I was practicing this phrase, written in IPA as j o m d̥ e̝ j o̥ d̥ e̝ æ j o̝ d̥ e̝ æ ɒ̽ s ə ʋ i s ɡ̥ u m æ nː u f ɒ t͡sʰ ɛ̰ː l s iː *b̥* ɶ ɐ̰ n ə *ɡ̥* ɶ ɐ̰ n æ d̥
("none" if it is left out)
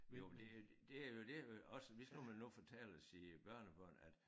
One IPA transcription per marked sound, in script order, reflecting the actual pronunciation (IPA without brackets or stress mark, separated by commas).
b̥, b̥